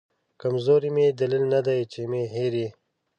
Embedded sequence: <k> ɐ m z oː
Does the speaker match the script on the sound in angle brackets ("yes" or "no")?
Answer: yes